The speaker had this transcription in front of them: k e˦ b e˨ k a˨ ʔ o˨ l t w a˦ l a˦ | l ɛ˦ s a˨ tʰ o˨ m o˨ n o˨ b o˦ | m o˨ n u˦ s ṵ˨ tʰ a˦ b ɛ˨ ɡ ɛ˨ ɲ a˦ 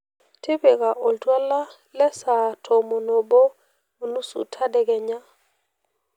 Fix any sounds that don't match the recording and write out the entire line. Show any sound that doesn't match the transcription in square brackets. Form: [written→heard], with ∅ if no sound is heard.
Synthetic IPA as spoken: [k→t] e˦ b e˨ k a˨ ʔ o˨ l t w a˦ l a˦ | l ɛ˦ s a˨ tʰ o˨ m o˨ n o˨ b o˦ | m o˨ n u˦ s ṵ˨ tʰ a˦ [b→d] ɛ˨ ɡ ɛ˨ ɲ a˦